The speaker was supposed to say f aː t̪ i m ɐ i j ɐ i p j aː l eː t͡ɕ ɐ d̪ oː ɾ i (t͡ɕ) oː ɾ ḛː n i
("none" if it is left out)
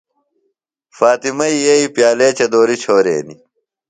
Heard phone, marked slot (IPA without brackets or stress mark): t͡ɕʰ